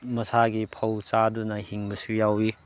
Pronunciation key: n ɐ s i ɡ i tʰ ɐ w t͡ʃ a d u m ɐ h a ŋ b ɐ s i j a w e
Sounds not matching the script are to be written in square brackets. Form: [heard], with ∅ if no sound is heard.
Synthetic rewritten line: [m] ɐ s [a] ɡ i [pʰ] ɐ w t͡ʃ a d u [n] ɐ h [i] ŋ b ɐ s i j a w [i]